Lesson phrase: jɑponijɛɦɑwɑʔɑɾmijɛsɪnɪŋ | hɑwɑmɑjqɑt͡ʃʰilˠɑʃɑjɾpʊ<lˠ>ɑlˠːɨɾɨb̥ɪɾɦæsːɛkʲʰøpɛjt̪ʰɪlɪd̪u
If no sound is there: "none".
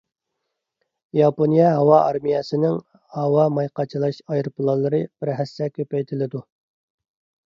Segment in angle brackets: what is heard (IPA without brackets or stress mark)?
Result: lˠ